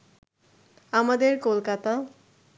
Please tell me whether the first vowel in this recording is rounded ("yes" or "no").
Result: no